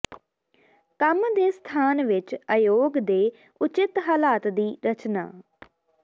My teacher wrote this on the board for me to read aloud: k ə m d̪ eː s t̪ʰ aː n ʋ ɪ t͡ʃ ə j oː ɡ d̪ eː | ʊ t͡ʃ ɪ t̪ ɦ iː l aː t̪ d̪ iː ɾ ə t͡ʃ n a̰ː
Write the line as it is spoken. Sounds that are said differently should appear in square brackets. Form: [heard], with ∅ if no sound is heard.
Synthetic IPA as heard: k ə m d̪ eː s t̪ʰ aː n ʋ ɪ t͡ʃ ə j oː ɡ d̪ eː | ʊ t͡ʃ ɪ t̪ ɦ [aː] l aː t̪ d̪ iː ɾ ə t͡ʃ n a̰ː